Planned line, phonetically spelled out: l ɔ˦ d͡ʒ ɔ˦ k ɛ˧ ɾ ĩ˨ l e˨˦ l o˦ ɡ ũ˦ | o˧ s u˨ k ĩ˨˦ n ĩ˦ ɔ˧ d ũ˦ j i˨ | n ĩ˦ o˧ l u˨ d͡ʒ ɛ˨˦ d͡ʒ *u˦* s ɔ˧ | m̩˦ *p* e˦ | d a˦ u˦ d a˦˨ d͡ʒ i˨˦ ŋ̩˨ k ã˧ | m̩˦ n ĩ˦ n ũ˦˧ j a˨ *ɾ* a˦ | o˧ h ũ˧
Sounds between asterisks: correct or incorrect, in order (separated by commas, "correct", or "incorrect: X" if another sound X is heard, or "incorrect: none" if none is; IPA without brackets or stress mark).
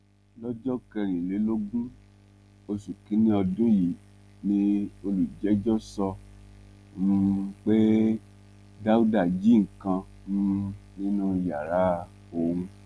incorrect: ɔ˦, incorrect: k͡p, correct